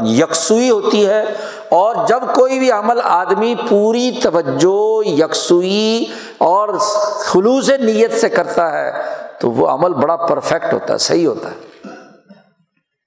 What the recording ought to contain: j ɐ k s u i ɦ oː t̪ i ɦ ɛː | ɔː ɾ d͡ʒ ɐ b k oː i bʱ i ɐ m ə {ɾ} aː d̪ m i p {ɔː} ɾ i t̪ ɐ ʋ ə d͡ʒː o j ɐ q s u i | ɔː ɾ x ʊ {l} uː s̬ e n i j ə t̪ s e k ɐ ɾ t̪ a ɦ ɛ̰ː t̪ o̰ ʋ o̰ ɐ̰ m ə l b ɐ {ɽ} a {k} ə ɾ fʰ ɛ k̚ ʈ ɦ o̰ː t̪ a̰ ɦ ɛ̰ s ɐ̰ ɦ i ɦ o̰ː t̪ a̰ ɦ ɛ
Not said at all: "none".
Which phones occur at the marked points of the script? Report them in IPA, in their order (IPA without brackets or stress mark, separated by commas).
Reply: l, uː, l, ɽ, p